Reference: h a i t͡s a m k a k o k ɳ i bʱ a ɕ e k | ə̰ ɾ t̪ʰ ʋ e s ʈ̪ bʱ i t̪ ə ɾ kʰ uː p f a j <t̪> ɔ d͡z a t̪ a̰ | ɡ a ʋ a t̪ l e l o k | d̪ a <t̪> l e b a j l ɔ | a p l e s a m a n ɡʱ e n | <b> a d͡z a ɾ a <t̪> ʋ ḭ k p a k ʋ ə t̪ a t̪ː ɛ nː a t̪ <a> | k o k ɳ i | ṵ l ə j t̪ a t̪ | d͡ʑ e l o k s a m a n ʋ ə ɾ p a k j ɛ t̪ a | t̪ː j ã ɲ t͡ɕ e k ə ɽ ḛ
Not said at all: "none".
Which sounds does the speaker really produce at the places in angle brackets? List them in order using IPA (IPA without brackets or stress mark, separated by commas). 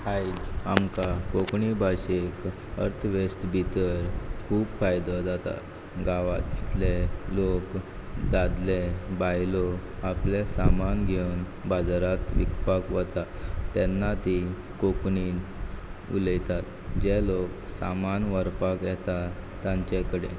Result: d̪, d̪, b, t̪, i